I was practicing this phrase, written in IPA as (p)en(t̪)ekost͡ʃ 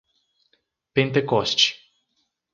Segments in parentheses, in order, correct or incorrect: correct, correct

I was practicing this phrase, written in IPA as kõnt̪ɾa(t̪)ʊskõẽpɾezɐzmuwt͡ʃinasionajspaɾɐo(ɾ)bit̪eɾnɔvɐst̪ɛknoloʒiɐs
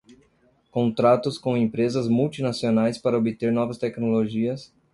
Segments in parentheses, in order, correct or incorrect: correct, incorrect

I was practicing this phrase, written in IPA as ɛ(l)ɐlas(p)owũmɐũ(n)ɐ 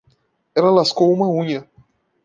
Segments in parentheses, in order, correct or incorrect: correct, incorrect, incorrect

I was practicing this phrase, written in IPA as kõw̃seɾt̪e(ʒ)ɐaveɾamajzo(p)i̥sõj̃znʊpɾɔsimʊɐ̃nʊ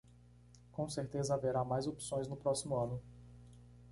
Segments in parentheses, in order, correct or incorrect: incorrect, correct

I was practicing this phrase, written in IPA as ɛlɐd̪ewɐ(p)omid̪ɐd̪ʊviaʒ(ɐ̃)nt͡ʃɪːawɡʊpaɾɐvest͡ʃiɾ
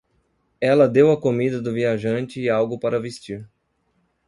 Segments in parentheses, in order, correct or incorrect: incorrect, correct

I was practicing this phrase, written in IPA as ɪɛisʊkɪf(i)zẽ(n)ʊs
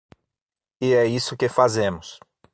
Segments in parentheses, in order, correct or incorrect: incorrect, incorrect

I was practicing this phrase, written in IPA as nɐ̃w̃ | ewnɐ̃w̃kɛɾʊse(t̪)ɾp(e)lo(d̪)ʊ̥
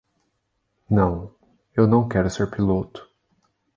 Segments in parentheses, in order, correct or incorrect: incorrect, incorrect, incorrect

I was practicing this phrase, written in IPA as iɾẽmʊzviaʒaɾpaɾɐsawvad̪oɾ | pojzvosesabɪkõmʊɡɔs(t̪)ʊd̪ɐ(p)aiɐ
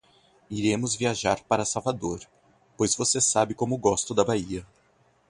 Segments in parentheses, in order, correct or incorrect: correct, incorrect

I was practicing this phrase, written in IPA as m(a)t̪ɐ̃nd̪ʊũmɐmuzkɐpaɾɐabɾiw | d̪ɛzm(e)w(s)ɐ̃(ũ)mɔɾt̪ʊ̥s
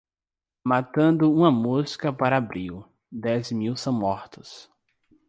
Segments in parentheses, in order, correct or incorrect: correct, incorrect, correct, incorrect

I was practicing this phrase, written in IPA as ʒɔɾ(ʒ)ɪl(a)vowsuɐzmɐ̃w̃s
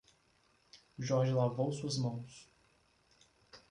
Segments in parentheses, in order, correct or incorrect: correct, correct

